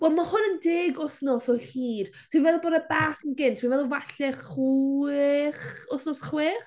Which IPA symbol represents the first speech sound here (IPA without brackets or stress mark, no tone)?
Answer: w